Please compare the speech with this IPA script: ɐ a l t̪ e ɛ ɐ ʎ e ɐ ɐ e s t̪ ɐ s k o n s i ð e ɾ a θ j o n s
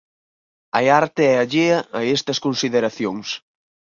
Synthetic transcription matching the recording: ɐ a ɾ t̪ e ɛ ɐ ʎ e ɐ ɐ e s t̪ ɐ s k o n s i ð e ɾ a θ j o ŋ s